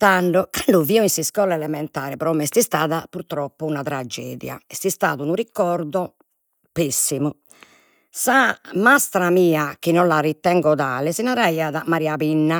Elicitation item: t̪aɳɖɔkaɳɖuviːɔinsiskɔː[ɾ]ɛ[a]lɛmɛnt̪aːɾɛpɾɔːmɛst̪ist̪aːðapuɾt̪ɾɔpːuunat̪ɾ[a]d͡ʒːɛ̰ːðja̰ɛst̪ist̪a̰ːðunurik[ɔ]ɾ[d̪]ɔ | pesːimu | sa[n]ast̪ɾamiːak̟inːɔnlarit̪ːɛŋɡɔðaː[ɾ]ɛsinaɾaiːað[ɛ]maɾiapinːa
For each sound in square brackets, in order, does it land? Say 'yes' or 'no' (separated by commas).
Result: no, no, yes, yes, yes, no, no, no